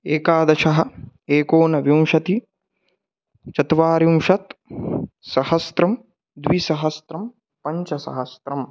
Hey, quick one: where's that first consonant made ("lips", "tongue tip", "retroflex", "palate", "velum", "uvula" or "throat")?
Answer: velum